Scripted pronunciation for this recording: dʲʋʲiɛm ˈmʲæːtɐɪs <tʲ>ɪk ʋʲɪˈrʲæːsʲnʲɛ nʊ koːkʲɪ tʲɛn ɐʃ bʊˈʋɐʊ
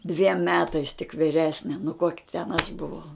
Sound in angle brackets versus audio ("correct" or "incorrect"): correct